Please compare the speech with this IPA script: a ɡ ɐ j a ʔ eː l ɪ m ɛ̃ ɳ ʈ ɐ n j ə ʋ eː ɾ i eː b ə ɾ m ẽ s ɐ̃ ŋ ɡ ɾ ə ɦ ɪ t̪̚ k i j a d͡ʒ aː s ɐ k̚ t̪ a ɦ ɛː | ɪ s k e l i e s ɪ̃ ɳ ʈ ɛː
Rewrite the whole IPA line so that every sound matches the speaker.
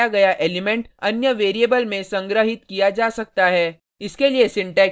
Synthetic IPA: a ɡ ɐ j a ʔ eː l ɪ m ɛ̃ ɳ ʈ ɐ n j ə ʋ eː ɾ i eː b ə l m ẽ s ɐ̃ ŋ ɡ ɾ ə ɦ ɪ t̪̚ k i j a d͡ʒ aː s ɐ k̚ t̪ a ɦ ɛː | ɪ s k e l i e s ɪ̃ ɳ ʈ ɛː